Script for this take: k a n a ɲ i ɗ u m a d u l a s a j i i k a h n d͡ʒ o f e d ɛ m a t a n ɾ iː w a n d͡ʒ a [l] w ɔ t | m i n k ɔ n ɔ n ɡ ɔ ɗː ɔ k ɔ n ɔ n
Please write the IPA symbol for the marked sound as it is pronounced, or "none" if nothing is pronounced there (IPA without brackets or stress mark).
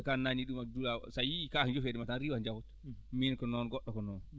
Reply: none